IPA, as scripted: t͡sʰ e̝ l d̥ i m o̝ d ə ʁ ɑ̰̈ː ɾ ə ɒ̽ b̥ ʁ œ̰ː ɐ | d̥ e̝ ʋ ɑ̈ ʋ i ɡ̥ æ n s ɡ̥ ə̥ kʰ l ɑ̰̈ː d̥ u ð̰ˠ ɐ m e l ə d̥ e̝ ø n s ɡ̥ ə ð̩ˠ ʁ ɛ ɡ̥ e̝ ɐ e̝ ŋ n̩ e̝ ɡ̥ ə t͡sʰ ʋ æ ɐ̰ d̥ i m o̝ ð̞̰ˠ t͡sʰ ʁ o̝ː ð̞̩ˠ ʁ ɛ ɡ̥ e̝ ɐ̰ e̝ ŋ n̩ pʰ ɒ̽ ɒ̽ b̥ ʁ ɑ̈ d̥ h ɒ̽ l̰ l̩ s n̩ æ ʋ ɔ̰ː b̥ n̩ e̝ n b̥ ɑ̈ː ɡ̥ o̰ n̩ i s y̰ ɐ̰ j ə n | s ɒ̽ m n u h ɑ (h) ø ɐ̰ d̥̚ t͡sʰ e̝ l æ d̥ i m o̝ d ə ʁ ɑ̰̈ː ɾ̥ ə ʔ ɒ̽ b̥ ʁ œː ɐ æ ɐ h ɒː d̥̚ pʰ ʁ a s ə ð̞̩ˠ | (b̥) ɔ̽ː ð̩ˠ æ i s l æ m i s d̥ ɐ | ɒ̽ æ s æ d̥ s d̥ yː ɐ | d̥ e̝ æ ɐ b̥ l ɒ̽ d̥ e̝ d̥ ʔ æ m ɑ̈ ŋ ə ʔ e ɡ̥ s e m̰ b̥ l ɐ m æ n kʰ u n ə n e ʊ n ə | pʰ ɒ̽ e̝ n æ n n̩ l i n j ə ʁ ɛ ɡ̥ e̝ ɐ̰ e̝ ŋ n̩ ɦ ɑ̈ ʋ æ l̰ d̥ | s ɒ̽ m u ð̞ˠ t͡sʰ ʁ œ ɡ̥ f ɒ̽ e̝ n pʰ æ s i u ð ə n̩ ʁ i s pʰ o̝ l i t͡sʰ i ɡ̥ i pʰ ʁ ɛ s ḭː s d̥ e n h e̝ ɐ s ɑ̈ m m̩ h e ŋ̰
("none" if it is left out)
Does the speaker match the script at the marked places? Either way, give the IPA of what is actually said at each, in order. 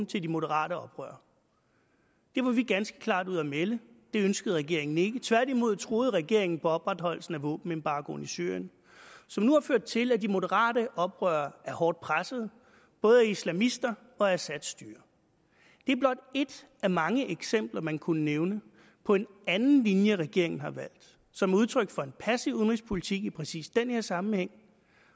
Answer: f, b̥

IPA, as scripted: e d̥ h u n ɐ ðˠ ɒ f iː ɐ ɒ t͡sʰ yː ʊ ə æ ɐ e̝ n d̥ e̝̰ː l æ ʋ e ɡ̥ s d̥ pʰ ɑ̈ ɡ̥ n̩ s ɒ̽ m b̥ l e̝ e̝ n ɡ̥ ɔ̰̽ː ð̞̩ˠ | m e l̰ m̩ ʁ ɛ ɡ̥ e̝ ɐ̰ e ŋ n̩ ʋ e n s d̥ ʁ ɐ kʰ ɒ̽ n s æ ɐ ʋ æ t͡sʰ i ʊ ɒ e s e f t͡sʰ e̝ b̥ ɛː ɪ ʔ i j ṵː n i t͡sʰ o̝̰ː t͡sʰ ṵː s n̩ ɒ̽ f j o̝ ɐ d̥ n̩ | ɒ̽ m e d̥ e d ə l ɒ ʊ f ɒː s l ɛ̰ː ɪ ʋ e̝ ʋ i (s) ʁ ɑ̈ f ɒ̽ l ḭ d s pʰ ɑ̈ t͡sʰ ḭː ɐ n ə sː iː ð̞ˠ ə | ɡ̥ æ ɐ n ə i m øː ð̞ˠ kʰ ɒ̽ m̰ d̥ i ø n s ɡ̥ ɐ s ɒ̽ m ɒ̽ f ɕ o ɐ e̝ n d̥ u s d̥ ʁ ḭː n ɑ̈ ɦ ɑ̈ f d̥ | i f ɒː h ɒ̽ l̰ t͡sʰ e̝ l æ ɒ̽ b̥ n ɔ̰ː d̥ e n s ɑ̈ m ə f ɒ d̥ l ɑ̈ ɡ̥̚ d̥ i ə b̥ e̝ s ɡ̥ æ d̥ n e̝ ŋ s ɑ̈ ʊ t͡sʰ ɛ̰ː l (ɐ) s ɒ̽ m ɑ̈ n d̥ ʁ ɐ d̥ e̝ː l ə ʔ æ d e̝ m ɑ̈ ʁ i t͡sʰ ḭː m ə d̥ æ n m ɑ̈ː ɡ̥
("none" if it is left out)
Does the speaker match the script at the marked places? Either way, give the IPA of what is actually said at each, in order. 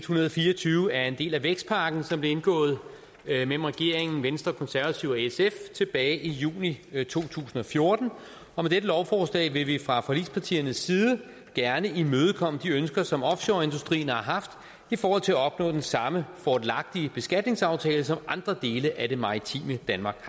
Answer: f, ə

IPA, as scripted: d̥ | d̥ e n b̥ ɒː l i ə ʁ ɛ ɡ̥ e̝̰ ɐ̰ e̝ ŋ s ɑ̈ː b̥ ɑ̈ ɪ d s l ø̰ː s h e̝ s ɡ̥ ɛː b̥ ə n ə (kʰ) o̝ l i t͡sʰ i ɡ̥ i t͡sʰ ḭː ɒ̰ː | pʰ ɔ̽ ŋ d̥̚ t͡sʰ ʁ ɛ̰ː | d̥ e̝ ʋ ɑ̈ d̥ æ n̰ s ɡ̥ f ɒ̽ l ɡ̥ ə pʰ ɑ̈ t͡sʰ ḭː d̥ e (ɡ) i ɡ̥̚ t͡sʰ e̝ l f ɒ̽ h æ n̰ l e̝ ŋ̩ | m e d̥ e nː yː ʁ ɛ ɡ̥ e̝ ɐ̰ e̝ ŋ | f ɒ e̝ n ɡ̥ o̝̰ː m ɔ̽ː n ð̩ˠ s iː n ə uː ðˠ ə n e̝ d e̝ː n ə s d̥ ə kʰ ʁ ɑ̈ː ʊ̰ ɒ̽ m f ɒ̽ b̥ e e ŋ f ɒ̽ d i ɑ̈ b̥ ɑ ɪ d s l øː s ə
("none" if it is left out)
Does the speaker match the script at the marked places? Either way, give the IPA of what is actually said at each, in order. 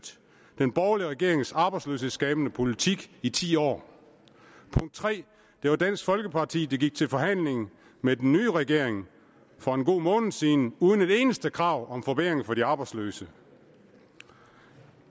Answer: pʰ, ɡ

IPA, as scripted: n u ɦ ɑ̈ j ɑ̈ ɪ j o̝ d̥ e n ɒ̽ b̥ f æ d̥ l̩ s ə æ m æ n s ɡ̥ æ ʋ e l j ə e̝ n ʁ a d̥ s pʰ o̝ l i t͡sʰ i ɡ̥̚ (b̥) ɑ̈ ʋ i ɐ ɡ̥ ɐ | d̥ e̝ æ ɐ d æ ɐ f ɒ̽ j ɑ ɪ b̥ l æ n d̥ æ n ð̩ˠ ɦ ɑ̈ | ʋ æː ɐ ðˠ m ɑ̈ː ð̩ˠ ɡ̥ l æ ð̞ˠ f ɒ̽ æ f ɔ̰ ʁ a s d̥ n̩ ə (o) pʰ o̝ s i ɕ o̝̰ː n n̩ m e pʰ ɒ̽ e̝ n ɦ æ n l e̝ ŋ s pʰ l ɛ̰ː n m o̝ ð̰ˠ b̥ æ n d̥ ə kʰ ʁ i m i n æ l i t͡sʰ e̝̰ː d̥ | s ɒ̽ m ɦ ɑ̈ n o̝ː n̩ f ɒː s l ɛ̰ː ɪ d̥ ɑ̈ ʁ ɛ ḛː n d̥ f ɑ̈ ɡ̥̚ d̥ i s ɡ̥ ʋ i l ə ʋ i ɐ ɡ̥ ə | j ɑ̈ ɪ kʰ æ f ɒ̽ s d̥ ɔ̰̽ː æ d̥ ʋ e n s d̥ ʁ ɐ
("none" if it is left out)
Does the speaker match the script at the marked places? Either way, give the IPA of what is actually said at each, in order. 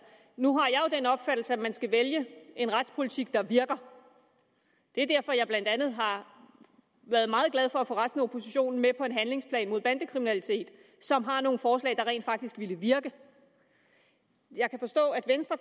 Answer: d̥, o

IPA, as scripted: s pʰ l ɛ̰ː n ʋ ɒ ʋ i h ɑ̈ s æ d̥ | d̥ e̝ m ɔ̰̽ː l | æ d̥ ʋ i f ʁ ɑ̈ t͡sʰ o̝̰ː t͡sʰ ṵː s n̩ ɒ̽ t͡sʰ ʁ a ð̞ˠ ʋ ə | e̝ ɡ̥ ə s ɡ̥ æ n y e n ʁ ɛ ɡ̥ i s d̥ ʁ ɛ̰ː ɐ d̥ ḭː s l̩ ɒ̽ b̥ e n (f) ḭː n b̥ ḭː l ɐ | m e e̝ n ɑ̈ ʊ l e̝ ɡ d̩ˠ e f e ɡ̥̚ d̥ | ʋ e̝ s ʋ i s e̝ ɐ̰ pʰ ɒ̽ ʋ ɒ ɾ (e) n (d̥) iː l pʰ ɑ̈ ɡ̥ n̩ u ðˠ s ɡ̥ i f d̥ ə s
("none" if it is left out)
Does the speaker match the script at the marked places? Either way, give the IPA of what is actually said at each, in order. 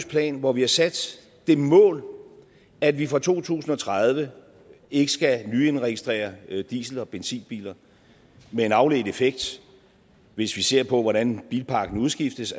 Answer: s, æ, b̥

